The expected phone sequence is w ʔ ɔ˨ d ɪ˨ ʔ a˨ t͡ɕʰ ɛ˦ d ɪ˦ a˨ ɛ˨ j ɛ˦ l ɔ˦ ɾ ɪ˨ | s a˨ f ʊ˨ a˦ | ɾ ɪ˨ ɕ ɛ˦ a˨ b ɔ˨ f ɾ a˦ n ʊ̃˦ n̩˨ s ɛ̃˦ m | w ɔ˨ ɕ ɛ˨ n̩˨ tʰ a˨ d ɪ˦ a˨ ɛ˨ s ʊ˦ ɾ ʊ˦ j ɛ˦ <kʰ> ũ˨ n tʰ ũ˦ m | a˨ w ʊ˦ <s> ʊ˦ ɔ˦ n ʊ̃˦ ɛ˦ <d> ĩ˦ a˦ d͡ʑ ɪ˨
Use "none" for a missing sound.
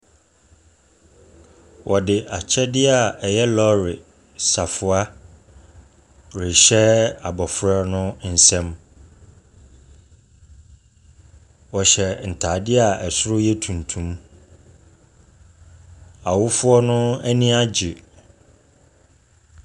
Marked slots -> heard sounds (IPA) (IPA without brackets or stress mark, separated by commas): tʰ, f, n